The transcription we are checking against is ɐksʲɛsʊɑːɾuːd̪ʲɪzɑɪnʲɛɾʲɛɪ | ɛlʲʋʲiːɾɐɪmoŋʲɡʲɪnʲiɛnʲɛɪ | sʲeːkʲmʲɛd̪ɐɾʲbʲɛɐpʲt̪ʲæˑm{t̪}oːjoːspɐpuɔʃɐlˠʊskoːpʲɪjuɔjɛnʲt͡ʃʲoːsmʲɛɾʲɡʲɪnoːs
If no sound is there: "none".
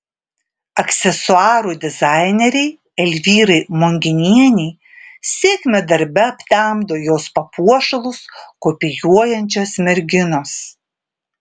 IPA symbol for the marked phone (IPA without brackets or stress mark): d̪